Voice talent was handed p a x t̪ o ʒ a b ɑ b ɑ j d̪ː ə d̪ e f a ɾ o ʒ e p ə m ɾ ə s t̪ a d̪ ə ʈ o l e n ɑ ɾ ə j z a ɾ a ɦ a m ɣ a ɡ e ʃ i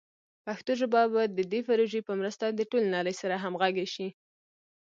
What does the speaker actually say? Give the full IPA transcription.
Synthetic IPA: p a x t̪ o ʒ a b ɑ b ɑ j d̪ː ə d̪ e f a ɾ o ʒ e p ə m ɾ ə s t̪ a d̪ ə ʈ o l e n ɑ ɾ ə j s a ɾ a ɦ a m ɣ a ɡ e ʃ i